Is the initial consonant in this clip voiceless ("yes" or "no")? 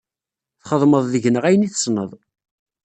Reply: yes